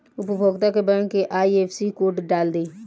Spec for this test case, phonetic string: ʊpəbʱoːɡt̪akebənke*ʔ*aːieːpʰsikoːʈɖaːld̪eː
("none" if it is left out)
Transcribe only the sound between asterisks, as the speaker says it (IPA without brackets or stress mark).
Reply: ʔ